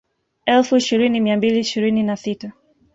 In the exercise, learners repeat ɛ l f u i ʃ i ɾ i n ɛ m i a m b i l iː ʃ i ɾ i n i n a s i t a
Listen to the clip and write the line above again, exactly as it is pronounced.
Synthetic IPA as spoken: ɛ l f u i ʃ i ɾ i n i m i a m b i l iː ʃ i ɾ i n i n a s i t a